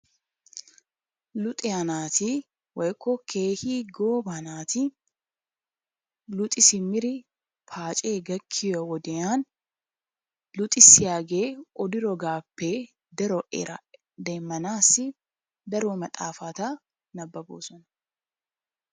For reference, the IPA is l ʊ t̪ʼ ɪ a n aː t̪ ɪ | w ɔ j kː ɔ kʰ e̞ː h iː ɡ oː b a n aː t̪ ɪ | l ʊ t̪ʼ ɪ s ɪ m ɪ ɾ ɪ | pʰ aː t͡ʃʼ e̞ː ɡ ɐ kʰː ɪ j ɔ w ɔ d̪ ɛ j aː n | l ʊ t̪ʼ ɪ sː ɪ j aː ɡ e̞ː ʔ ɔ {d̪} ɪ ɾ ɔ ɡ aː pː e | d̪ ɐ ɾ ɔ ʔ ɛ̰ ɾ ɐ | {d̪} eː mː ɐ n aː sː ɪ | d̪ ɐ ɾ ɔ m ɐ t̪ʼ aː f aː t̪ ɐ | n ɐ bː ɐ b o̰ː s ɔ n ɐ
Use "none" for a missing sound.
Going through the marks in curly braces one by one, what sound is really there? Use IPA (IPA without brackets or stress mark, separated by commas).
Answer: d̪, d̪